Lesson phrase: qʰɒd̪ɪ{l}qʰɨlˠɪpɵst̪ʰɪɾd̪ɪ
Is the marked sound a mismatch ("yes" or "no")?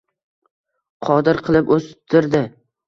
yes